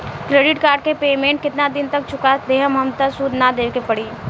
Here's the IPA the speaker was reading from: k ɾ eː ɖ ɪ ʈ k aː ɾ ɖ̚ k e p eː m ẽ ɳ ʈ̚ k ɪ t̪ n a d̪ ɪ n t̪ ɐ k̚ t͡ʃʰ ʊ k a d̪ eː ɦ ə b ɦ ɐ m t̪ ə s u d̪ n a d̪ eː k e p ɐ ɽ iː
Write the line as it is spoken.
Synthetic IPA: k ɾ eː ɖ ɪ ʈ k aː ɾ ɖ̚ k e p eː m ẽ ɳ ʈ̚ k ɪ t̪ n a d̪ ɪ n t̪ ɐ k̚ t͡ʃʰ ʊ k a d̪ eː ɦ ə m ɦ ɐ m t̪ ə s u d̪ n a d̪ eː k e p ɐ ɽ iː